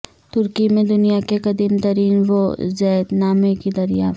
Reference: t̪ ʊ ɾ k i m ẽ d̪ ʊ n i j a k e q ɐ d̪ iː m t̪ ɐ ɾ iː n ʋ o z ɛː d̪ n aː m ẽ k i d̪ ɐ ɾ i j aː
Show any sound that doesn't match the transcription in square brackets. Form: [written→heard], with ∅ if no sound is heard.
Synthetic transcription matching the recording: t̪ ʊ ɾ k i m ẽ d̪ ʊ n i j a k e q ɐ d̪ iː m t̪ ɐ ɾ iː n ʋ o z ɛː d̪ n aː m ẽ k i d̪ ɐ ɾ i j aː

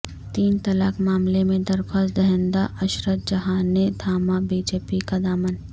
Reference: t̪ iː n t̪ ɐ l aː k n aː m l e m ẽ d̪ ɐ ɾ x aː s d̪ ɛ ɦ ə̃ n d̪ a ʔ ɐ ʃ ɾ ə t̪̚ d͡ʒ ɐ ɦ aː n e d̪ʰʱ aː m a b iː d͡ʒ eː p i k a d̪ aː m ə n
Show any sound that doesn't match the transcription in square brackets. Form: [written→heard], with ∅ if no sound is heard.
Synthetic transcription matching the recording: t̪ iː n t̪ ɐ l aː k [n→m] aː m l e m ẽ d̪ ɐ ɾ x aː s d̪ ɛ ɦ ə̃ n d̪ a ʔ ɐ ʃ ɾ ə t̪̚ d͡ʒ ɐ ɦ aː n e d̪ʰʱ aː m a b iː d͡ʒ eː p i k a d̪ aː m ə n

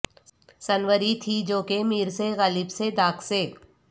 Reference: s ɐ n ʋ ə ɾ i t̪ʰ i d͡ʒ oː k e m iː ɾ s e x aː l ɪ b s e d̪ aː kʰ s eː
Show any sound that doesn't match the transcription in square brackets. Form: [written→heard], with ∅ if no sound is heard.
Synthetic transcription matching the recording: s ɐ n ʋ ə ɾ i t̪ʰ i d͡ʒ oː k e m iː ɾ s e [x→ɣ] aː l ɪ b s e d̪ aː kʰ s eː

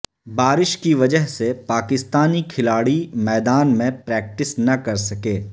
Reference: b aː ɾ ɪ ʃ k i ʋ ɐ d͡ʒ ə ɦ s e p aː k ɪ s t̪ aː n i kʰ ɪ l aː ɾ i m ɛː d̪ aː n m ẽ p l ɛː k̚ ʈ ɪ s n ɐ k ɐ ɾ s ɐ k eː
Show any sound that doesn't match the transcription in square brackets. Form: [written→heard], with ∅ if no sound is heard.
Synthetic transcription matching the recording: b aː ɾ ɪ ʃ k i ʋ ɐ d͡ʒ ə ɦ s e p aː k ɪ s t̪ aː n i kʰ ɪ l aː [ɾ→ɽ] i m ɛː d̪ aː n m ẽ p [l→ɾ] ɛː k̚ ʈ ɪ s n ɐ k ɐ ɾ s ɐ k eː

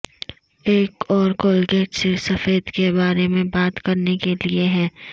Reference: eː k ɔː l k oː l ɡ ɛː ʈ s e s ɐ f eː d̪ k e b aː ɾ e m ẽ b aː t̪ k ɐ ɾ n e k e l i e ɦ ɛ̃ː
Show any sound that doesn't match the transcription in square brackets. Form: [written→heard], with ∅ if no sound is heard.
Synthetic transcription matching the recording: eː k ɔː [l→ɾ] k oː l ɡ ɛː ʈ s e s ɐ f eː d̪ k e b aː ɾ e m ẽ b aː t̪ k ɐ ɾ n e k e l i e ɦ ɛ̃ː

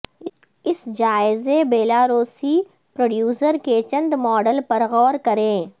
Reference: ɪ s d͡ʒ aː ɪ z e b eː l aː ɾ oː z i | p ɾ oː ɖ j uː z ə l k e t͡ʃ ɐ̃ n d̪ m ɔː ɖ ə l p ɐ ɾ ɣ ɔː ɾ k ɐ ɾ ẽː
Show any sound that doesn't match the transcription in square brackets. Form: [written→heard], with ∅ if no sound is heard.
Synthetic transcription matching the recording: ɪ s d͡ʒ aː ɪ z e b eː l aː ɾ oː [z→s] i | p ɾ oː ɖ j uː [z→s] ə [l→ɾ] k e t͡ʃ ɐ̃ n d̪ m ɔː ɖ ə l p ɐ ɾ ɣ ɔː ɾ k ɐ ɾ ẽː

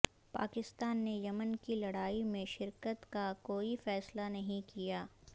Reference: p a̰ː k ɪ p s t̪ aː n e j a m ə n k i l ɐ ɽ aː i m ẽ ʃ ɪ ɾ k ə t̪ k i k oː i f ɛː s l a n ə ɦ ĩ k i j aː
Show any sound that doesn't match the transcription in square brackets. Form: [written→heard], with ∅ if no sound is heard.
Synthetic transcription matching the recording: p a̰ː k ɪ [p→∅] s t̪ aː [n→nː] e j [a→ɐ] m ə n k i l ɐ ɽ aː i m ẽ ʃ ɪ ɾ k ə t̪ k [i→a] k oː i f ɛː s l a n [ə→ɐ] ɦ ĩ k i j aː

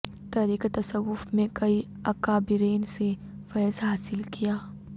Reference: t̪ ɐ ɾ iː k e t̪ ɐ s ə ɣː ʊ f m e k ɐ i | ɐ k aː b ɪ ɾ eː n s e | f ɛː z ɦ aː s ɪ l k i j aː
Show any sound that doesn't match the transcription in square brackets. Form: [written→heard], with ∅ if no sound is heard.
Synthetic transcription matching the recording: t̪ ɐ ɾ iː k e t̪ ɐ s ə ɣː ʊ f m [e→ẽ] k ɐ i | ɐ k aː b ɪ ɾ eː n s e | f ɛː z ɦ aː s ɪ l k i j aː

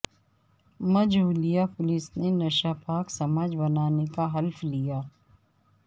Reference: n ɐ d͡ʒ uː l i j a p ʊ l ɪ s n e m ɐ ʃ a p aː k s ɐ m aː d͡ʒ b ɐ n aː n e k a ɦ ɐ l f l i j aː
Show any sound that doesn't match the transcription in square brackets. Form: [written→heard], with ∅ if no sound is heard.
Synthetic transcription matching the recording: [n→m] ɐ d͡ʒ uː l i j a p ʊ l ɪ s n e [m→n] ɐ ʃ a p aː k s ɐ m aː d͡ʒ b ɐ n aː n e k a ɦ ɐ l f l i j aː

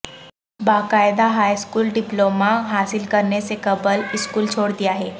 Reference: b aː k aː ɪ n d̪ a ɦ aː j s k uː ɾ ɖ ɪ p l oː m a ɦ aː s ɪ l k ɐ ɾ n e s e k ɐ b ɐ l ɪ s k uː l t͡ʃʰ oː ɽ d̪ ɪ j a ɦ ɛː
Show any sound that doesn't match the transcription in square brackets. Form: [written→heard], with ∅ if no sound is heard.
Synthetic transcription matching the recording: b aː k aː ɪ [n→∅] d̪ a ɦ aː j s k uː [ɾ→l] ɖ ɪ p l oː m a ɦ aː s ɪ l k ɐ ɾ n e s e k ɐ b [ɐ→ə] l ɪ s k uː l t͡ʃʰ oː ɽ d̪ [ɪ→i] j a ɦ ɛː

